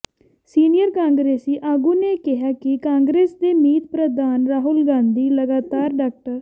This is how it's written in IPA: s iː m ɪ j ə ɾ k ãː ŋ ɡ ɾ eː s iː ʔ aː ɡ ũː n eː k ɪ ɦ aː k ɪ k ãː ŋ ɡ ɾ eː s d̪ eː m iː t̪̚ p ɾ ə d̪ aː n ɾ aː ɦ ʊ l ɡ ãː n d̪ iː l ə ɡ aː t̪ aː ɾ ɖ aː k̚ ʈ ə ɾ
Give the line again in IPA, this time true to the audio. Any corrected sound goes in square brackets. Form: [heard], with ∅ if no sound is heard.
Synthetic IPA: s iː [n] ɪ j ə ɾ k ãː ŋ ɡ ɾ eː s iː ʔ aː ɡ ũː n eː k ɪ ɦ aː k ɪ k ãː ŋ ɡ ɾ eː s d̪ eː m iː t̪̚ p ɾ ə d̪ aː n ɾ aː ɦ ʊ l ɡ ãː n d̪ iː l ə ɡ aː t̪ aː ɾ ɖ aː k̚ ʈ ə ɾ